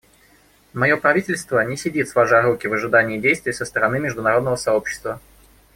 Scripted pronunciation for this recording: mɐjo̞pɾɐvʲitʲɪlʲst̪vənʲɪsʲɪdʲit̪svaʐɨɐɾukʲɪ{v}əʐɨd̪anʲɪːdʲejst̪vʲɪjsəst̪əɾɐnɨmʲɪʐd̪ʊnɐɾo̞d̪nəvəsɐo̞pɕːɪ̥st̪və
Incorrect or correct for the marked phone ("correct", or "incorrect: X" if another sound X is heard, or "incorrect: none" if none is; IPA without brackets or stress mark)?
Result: correct